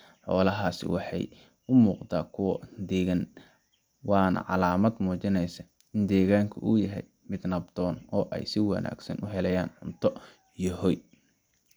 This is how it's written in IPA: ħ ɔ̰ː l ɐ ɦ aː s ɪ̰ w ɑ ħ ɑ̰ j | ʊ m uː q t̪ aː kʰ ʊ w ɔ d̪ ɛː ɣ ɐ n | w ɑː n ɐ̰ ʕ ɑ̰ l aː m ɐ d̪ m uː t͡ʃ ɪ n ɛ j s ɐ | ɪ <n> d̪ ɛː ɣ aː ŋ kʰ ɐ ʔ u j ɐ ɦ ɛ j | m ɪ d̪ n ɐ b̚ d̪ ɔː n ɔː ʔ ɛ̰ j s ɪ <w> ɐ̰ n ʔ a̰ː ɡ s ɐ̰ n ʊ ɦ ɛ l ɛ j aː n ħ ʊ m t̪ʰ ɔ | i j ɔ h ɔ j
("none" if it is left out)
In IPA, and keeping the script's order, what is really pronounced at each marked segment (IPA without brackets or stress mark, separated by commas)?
n, w